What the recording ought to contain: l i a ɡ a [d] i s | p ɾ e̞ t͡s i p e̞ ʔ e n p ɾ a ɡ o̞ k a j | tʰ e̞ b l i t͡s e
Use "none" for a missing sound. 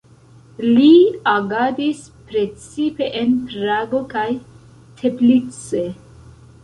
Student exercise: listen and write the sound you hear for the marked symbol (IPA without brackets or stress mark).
d